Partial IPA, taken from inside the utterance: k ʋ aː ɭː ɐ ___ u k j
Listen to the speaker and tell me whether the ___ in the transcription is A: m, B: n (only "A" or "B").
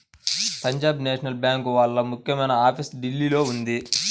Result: A